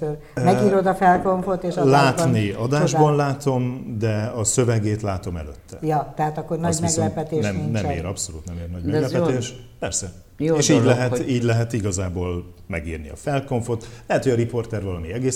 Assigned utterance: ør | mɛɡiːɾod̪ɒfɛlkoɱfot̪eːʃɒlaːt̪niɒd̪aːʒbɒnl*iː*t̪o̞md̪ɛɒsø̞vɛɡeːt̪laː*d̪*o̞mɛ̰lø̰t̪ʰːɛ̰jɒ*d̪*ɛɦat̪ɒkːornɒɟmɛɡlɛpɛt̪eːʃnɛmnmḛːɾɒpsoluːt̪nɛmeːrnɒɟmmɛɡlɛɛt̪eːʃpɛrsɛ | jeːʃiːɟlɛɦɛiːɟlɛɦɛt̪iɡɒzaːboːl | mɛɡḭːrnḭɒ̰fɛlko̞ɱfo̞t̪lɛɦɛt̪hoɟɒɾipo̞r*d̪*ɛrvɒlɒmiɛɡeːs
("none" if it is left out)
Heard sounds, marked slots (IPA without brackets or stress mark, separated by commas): aː, t̪, t̪, t̪